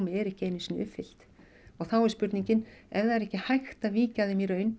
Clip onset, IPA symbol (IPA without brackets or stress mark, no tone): m